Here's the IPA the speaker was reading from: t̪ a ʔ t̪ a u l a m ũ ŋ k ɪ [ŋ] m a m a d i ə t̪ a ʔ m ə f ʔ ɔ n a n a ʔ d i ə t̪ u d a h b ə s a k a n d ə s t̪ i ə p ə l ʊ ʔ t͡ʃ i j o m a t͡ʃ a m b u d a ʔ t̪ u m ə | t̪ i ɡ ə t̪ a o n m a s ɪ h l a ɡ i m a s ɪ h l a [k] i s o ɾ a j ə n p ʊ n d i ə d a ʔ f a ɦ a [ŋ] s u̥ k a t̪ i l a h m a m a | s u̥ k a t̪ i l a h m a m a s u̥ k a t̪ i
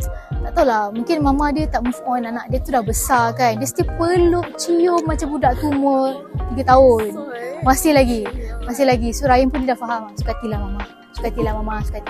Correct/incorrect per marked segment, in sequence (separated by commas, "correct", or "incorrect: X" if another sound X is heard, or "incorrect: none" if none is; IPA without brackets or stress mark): incorrect: n, incorrect: ɡ, incorrect: m